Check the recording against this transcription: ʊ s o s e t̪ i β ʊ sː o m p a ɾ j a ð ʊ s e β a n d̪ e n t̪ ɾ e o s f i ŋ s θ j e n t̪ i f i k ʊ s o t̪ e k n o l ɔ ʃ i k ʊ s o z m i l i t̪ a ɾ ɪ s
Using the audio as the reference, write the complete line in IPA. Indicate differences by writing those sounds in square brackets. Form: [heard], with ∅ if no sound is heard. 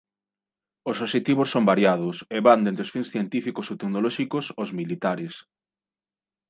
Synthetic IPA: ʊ s o [ʃ] e t̪ i β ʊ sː o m [b] a ɾ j a ð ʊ s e β a n d̪ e n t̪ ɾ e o s f i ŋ s θ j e n t̪ i f i k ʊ s o t̪ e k n o l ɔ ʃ i k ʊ s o z m i l i t̪ a ɾ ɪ s